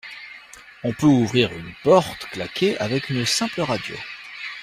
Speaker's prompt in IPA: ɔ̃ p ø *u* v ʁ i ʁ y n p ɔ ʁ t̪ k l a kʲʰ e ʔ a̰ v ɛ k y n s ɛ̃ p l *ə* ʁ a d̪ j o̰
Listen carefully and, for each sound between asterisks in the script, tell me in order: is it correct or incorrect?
correct, correct

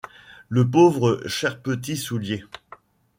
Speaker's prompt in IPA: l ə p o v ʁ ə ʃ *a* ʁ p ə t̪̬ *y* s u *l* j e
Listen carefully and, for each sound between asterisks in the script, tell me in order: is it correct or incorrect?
incorrect: ɛ, incorrect: i, correct

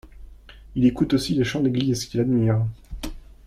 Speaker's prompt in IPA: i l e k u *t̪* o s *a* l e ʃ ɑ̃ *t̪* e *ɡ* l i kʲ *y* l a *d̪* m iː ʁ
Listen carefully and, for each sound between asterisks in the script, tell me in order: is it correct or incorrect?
correct, incorrect: i, incorrect: d̪, correct, incorrect: i, correct

